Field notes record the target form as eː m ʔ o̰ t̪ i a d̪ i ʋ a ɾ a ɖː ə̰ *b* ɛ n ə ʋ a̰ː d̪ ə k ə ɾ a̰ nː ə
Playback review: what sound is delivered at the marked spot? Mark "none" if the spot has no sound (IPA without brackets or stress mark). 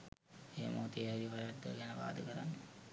ɡ